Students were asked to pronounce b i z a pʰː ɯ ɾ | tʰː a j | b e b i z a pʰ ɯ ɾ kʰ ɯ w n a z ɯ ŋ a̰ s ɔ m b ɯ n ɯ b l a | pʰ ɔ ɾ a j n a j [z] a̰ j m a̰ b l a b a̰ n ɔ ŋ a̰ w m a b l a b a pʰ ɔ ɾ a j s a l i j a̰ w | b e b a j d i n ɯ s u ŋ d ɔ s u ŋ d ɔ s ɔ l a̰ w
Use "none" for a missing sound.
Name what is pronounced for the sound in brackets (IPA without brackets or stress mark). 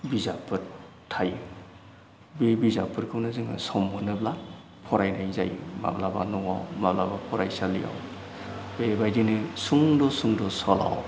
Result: z